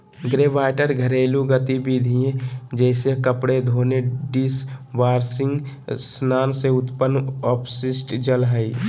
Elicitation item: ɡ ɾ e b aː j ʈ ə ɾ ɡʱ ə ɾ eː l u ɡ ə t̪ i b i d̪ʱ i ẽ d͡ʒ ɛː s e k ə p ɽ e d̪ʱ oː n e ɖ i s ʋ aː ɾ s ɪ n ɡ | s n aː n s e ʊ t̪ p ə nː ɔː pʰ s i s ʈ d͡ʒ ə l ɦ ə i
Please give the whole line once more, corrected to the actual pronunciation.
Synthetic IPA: ɡ ɾ e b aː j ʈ ə ɾ ɡʱ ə ɾ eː l u ɡ ə t̪ i b i d̪ʱ i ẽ d͡ʒ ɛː s e k ə p ɽ e d̪ʱ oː n e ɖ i s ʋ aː ɾ s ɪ ŋ ɡ | s n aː n s e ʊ t̪ p ə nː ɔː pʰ s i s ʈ d͡ʒ ə l ɦ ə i

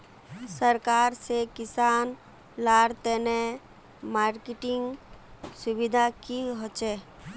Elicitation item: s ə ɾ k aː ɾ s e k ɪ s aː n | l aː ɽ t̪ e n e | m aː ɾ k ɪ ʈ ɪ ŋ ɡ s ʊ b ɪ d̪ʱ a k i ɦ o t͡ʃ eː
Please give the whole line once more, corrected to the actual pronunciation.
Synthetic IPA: s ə ɾ k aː ɾ s e k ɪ s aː n | l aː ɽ t̪ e n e | m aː ɾ k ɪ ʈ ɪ ŋ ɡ s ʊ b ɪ d̪ʱ a k i ɦ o t͡ʃ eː

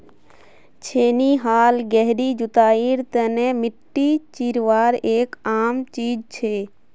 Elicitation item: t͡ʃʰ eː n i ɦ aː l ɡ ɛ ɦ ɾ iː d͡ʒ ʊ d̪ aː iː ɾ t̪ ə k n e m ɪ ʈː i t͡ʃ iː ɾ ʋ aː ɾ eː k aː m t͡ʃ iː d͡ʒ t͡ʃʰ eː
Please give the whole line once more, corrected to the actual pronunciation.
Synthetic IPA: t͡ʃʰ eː n i ɦ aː l ɡ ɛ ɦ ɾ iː d͡ʒ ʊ t̪ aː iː ɾ t̪ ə n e m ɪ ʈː i t͡ʃ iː ɾ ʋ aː ɾ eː k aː m t͡ʃ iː d͡ʒ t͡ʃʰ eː

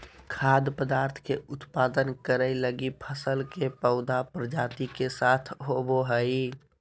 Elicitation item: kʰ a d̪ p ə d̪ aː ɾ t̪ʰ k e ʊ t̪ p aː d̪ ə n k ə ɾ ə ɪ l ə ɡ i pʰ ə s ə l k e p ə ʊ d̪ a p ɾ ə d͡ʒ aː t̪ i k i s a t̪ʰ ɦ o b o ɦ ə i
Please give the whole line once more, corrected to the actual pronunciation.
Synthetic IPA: kʰ a d̪ p ə d̪ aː ɾ t̪ʰ k e ʊ t̪ p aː d̪ ə n k ə ɾ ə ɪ l ə ɡ i pʰ ə s ə l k e p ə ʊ d̪ a p ɾ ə d͡ʒ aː t̪ i k e s a t̪ʰ ɦ o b o ɦ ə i

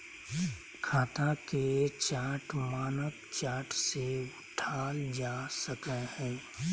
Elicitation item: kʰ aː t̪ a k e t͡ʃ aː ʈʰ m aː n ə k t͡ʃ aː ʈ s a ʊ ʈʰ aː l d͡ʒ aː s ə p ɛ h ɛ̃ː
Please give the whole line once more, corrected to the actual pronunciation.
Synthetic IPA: kʰ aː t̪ a k e t͡ʃ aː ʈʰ m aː n ə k t͡ʃ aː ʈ s e ʊ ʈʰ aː l d͡ʒ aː s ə k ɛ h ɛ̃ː

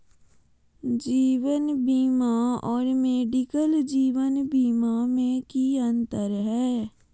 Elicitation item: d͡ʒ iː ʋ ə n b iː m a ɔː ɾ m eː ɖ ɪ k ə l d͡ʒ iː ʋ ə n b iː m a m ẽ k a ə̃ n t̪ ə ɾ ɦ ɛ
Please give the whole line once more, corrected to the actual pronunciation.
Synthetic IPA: d͡ʒ iː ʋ ə n b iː m a ɔː ɾ m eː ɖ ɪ k ə l d͡ʒ iː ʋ ə n b iː m a m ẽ k i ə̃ n t̪ ə ɾ ɦ ɛː

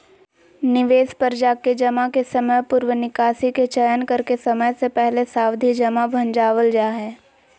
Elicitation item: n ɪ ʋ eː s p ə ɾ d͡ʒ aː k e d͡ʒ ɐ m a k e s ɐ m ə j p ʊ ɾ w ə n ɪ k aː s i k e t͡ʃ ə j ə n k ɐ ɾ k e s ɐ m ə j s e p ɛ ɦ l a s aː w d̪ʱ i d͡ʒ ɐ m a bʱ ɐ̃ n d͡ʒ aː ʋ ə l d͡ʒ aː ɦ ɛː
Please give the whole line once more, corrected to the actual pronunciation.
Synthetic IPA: n ɪ ʋ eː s p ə ɾ d͡ʒ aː k e d͡ʒ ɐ m a k e s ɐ m ə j p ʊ ɾ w ə n ɪ k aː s i k e t͡ʃ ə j ə n k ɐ ɾ k e s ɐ m ə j s e p ɛ ɦ l e s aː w d̪ʱ i d͡ʒ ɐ m a bʱ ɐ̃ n d͡ʒ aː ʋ ə l d͡ʒ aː ɦ ɛː

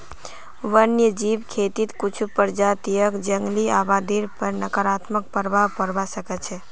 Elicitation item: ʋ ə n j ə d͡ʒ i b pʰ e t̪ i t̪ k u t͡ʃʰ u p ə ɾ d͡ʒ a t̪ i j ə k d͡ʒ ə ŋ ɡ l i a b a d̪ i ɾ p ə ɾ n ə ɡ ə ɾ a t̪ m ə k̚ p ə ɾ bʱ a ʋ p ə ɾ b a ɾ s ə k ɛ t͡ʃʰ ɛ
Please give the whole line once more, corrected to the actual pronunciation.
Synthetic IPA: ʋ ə n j ə d͡ʒ i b kʰ e t̪ i t̪ k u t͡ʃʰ u p ə ɾ d͡ʒ a t̪ i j ə k d͡ʒ ə ŋ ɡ l i a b a d̪ i ɾ p ə ɾ n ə k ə ɾ a t̪ m ə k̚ p ə ɾ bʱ a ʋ p ə ɾ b a s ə k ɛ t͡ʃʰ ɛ

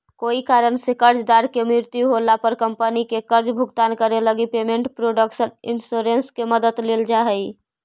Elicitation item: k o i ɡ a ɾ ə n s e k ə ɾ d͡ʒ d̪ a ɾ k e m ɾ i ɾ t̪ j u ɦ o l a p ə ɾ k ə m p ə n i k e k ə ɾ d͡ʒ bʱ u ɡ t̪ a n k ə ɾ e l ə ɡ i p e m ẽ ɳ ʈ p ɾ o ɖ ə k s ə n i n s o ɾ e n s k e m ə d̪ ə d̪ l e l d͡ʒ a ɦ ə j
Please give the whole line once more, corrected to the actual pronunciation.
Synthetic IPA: k o i k a ɾ ə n s e k ə ɾ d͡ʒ d̪ a ɾ k e m ɾ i ɾ t̪ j u ɦ o l a p ə ɾ k ə m p ə n i k e k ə ɾ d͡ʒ bʱ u ɡ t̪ a n k ə ɾ e l ə ɡ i p e m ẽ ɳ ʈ p ɾ o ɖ ə k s ə n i n s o ɾ e n s k e m ə d̪ ə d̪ l e l d͡ʒ a ɦ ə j

